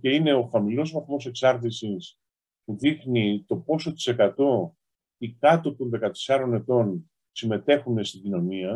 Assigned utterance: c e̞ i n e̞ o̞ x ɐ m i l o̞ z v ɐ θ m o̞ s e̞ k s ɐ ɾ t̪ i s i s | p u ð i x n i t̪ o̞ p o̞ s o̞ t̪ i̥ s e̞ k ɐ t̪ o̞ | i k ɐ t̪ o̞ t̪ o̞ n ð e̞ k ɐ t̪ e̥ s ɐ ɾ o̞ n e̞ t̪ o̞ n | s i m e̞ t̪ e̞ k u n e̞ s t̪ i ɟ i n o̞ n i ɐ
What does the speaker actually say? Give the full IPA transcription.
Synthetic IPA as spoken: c e̞ i n e̞ o̞ x ɐ m i l o̞ z v ɐ θ m o̞ s e̞ k s ɐ ɾ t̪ i s i s | p u ð i x n i t̪ o̞ p o̞ s o̞ t̪ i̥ s e̞ k ɐ t̪ o̞ | i k ɐ t̪ o̞ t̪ o̞ n ð e̞ k ɐ t̪ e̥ s ɐ ɾ o̞ n e̞ t̪ o̞ n | s i m e̞ t̪ e̞ x u n e̞ s t̪ i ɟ i n o̞ n i ɐ